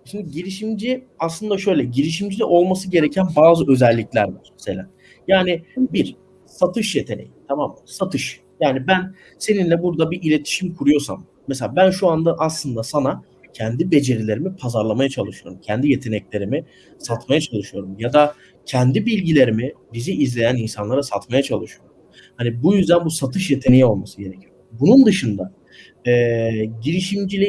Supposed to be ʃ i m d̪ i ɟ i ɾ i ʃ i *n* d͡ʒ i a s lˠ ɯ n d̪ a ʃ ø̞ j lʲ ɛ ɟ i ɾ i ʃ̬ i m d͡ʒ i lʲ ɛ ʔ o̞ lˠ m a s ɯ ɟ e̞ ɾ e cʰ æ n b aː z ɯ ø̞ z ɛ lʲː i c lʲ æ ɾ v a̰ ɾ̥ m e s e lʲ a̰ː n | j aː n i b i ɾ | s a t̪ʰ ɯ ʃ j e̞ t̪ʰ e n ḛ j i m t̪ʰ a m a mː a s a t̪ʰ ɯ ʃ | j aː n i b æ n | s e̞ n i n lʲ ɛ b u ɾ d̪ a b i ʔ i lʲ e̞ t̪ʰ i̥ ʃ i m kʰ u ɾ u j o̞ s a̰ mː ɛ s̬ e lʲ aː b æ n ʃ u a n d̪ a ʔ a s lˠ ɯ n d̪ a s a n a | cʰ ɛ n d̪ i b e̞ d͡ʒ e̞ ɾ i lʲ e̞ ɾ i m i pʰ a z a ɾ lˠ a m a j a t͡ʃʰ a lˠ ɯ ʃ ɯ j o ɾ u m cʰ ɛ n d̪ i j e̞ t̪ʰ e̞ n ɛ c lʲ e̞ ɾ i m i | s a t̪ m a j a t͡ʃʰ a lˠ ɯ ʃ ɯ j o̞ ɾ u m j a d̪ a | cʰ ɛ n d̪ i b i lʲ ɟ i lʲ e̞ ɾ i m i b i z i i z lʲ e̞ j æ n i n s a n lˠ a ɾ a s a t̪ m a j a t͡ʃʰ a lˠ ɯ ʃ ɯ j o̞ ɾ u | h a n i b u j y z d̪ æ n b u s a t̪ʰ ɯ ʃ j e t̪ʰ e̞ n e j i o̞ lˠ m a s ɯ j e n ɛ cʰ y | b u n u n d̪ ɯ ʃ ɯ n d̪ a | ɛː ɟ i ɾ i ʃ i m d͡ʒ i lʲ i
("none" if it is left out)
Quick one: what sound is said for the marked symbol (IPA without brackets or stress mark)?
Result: m